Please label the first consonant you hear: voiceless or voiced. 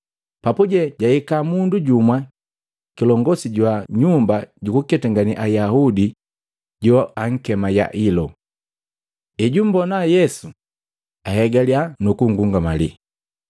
voiceless